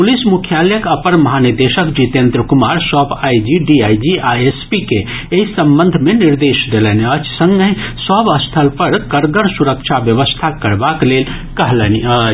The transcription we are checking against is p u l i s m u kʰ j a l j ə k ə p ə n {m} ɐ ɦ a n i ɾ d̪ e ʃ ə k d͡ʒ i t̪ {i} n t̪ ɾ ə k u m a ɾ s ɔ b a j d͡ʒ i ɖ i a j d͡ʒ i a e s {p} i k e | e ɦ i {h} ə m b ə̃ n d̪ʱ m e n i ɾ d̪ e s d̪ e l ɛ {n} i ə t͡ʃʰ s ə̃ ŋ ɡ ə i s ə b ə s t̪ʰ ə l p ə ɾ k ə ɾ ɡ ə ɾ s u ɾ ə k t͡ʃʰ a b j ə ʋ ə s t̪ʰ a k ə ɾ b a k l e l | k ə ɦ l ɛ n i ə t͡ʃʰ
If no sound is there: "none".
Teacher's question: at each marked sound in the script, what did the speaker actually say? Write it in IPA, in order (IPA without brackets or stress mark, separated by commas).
m, e, p, s, n